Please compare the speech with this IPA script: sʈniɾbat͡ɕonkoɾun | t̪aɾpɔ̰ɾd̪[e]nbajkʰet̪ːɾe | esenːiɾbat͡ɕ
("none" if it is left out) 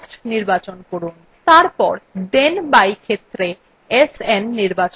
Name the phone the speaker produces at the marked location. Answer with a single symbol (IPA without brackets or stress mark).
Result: e